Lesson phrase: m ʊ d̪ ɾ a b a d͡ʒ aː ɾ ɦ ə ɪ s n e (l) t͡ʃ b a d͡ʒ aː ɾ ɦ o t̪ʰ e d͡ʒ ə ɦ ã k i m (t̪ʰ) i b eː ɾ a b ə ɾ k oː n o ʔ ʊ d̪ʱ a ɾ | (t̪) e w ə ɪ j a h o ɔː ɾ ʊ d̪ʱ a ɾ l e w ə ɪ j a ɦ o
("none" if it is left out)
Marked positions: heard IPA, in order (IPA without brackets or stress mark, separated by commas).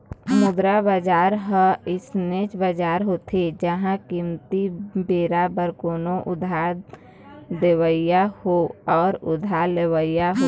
none, t̪, d̪